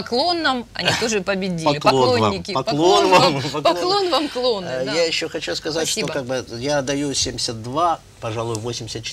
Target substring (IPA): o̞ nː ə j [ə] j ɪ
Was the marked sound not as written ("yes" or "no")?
yes